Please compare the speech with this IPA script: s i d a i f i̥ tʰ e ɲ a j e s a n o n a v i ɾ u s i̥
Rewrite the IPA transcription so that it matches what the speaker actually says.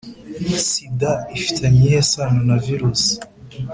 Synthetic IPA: s i d a i f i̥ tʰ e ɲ i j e s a n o n a v i ɾ u s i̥